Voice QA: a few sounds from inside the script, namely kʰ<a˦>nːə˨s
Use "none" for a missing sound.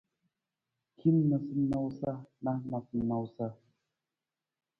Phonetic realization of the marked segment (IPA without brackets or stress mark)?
i˦